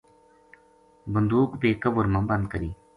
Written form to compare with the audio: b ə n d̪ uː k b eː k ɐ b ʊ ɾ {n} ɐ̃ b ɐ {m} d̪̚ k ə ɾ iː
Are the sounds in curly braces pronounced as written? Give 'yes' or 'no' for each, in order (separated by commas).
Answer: no, no